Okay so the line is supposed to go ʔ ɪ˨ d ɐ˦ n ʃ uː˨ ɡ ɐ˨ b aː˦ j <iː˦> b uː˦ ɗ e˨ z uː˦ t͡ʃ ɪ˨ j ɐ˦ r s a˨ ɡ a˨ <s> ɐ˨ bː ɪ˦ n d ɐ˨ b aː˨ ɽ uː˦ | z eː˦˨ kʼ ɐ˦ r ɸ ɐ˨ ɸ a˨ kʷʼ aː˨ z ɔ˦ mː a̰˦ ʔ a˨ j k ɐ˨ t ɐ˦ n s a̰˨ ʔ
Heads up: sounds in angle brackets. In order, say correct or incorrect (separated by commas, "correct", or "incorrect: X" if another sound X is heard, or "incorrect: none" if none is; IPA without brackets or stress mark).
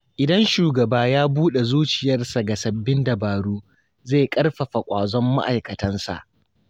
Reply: incorrect: aː˦, correct